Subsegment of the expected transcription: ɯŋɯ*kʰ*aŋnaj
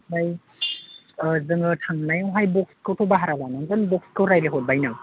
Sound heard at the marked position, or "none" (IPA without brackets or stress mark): tʰ